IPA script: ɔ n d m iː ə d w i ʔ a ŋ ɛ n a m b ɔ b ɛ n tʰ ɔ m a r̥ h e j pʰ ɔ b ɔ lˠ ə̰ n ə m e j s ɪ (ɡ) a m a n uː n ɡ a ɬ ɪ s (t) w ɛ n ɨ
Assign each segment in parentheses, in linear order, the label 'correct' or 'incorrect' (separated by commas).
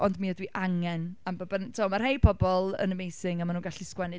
incorrect, incorrect